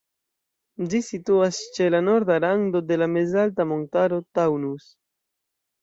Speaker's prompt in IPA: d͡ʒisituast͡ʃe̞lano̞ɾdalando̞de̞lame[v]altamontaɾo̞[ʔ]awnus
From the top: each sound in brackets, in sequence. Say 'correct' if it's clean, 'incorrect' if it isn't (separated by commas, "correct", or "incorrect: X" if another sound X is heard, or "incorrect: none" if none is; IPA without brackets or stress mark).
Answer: incorrect: z, incorrect: t